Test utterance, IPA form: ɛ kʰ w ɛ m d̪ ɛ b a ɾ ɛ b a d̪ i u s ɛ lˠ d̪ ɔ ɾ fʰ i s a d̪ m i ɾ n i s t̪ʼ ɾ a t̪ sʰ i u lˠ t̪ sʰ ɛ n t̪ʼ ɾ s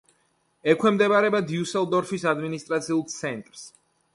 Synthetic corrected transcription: ɛ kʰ w ɛ m d̪ ɛ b a ɾ ɛ b a d̪ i u s ɛ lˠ d̪ ɔ ɾ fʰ i s a d̪ m i n i s t̪ʼ ɾ a t̪ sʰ i u lˠ t̪ sʰ ɛ n t̪ʼ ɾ s